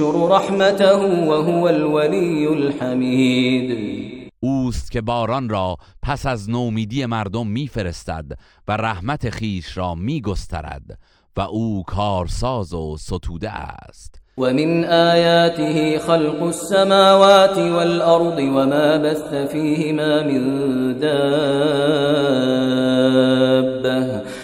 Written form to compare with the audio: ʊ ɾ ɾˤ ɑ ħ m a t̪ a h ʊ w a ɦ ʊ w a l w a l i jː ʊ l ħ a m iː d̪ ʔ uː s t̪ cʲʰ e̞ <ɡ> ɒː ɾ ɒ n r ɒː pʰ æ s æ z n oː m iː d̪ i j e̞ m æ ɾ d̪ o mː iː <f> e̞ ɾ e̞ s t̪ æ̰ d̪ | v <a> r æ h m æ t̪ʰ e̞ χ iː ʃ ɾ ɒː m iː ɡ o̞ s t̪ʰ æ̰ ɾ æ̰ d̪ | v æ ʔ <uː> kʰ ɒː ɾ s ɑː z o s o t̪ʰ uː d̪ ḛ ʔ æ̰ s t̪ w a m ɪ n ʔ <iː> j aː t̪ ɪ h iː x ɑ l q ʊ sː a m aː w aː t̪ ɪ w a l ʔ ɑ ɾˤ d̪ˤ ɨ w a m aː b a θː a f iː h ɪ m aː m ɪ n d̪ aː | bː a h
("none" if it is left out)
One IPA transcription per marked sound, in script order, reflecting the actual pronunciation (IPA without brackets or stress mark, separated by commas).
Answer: b, f, æ, uː, aː